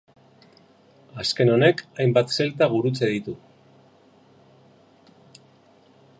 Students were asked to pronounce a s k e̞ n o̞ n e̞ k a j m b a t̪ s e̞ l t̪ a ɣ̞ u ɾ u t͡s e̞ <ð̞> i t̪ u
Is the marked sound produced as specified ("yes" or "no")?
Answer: yes